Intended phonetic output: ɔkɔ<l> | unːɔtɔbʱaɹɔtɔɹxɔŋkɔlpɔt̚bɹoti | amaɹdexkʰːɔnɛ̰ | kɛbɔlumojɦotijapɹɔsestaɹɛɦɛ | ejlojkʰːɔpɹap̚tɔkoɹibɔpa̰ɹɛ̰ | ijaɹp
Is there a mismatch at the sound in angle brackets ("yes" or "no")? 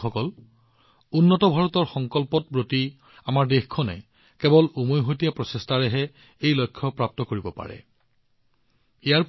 no